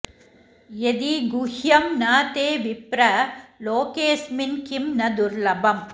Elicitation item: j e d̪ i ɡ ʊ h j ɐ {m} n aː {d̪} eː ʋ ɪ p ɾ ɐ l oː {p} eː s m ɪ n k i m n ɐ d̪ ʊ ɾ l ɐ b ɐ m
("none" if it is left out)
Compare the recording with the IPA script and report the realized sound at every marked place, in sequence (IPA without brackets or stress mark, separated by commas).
m, t̪, k